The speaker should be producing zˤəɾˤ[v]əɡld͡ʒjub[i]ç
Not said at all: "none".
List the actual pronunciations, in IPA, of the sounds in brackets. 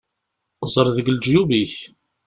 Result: ð, i

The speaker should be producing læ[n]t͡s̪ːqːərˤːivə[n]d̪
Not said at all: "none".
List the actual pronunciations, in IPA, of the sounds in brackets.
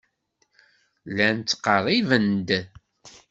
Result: n, n

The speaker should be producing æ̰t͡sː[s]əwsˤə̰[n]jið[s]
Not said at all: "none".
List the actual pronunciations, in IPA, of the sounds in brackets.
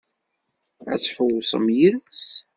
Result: ħ, m, s

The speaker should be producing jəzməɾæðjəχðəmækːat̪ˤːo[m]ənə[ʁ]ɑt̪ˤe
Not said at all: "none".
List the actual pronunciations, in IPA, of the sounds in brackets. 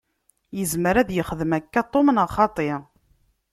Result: m, χ

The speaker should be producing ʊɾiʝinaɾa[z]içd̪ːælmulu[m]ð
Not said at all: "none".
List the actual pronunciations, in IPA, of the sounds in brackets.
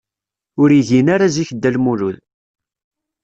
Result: z, none

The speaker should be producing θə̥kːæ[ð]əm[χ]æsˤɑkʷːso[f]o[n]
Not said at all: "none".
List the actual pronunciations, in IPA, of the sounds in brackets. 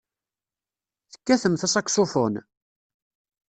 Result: θ, θ, f, n

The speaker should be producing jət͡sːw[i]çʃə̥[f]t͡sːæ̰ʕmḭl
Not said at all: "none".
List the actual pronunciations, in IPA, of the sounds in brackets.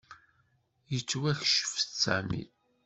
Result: æ, f

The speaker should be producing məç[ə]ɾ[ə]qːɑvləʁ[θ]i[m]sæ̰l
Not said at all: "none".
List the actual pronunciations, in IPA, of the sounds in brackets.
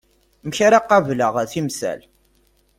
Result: a, a, θ, m

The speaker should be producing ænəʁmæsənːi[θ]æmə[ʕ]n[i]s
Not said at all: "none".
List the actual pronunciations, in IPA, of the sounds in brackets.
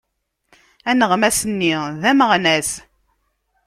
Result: ð, ʁ, æ

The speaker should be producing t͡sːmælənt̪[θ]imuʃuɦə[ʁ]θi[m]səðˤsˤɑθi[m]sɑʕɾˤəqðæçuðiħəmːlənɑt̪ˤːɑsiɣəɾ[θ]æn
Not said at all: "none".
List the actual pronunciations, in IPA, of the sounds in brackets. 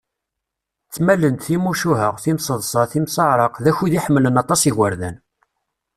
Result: θ, ʁ, m, m, ð

